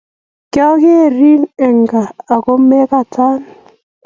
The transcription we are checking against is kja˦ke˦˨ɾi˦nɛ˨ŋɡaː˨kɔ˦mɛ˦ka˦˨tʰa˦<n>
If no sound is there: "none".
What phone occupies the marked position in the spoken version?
n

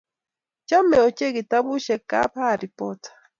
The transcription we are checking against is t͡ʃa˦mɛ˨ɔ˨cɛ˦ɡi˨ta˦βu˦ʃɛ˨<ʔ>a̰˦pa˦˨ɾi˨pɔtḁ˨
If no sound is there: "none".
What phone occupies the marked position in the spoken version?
k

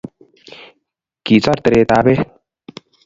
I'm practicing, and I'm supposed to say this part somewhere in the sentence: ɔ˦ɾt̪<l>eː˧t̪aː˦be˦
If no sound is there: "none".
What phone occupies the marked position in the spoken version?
ɾ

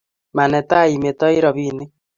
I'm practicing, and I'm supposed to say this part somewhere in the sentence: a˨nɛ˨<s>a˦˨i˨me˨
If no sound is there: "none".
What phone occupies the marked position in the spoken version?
t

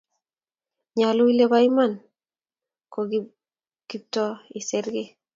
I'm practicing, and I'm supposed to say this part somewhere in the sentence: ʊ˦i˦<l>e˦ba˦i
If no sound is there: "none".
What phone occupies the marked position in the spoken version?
l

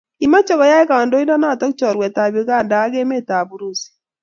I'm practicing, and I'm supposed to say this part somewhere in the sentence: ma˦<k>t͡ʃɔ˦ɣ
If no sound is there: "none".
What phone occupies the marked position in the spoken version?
none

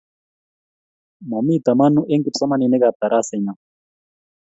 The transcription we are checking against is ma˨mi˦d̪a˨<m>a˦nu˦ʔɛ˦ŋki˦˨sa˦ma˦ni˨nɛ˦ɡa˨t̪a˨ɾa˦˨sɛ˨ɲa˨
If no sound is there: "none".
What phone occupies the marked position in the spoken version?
m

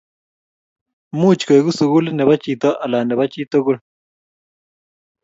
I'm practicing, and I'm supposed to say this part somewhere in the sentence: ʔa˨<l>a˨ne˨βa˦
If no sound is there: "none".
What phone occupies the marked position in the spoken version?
l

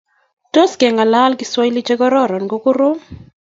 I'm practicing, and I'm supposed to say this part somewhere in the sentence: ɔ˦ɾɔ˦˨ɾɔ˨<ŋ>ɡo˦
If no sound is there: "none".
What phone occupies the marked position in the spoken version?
n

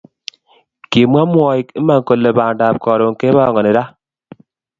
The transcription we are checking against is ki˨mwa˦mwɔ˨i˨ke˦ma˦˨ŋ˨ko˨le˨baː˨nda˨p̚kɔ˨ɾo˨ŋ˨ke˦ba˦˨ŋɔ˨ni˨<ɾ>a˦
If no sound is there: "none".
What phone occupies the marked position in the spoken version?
ɾ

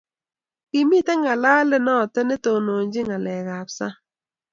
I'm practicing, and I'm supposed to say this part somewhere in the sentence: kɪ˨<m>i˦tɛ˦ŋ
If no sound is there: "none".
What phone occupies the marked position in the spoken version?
m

